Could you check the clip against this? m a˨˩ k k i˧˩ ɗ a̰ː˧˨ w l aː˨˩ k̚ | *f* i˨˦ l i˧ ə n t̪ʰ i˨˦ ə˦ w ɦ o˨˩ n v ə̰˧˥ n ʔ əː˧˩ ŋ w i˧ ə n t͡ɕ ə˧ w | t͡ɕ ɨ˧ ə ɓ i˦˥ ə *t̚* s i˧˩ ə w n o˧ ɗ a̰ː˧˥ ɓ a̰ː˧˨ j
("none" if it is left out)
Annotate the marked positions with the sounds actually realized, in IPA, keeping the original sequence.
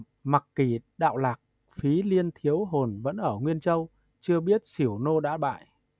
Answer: f, t̚

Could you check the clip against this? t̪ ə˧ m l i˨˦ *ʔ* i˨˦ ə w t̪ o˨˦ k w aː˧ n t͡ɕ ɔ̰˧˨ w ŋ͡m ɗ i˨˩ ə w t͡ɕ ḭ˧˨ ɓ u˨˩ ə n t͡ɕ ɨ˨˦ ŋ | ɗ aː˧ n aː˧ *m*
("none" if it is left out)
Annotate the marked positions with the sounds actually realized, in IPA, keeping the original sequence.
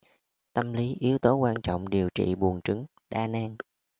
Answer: ʔ, ŋ

